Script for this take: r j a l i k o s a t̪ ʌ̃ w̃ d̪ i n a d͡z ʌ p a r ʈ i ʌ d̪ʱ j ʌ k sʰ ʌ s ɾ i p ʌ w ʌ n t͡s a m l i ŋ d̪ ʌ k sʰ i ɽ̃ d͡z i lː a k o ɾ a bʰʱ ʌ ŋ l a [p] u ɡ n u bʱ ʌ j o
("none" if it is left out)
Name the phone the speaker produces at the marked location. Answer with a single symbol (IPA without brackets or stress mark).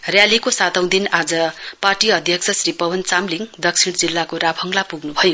p